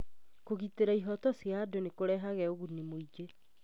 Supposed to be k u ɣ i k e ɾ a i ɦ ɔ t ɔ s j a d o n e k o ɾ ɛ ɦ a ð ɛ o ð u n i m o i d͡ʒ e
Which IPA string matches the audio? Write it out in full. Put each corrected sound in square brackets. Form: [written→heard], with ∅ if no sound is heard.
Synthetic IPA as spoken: k [u→o] ɣ i [k→t] e ɾ a i ɦ ɔ t ɔ s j a d o n e k o ɾ ɛ ɦ a [ð→ɣ] ɛ o [ð→ɣ] u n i m o i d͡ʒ e